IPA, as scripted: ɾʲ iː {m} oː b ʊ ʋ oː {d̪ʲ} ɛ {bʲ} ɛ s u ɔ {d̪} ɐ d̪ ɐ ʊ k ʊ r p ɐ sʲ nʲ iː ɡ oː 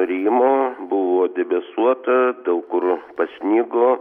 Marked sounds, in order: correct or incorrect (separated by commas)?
correct, correct, correct, incorrect